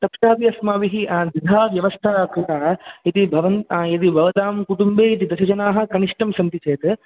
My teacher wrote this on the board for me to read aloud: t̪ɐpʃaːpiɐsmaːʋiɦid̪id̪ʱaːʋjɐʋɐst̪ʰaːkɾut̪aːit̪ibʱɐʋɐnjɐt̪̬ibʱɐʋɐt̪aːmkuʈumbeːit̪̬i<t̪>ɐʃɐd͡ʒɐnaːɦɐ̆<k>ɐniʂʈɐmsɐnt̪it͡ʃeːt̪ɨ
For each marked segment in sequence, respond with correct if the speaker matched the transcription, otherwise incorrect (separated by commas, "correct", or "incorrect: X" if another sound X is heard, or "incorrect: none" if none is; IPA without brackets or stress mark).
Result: incorrect: d̪, correct